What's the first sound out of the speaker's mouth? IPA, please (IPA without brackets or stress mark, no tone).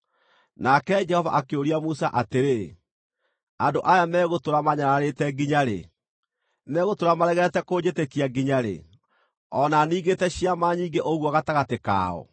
n